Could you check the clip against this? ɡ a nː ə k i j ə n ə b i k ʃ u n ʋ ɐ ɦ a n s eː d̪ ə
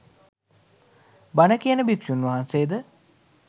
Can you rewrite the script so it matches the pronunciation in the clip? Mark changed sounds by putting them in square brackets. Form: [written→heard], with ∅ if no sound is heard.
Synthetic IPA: [ɡ→b] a [nː→n] ə k i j ə n ə b i k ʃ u n ʋ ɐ ɦ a n s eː d̪ ə